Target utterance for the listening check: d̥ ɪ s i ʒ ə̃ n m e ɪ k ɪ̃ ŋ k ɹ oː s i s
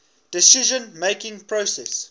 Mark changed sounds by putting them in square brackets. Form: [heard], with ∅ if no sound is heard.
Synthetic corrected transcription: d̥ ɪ s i ʒ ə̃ n m e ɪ k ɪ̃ ŋ [p] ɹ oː s [ɛ] s